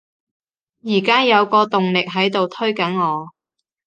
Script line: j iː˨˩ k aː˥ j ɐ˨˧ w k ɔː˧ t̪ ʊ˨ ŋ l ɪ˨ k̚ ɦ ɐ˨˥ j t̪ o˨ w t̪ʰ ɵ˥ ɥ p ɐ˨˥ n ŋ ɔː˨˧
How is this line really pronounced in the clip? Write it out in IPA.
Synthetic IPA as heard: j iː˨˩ k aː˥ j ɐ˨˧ w k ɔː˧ t̪ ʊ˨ ŋ l ɪ˨ k̚ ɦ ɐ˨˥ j t̪ o˨ w t̪ʰ ɵ˥ ɥ k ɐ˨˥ n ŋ ɔː˨˧